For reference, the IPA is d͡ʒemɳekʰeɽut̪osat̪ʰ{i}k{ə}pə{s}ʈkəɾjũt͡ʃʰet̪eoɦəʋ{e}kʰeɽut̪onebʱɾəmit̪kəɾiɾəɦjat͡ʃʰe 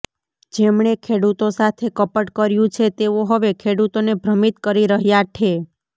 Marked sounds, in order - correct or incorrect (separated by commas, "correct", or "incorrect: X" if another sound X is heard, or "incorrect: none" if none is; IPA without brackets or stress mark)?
incorrect: e, correct, incorrect: none, correct